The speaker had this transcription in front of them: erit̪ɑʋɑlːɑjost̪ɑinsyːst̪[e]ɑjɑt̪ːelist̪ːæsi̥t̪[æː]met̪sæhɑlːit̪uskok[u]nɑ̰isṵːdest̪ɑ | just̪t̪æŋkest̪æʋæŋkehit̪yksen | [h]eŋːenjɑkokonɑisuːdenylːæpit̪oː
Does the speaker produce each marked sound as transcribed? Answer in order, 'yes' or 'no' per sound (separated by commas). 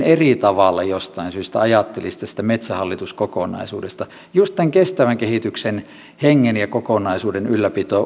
no, no, no, yes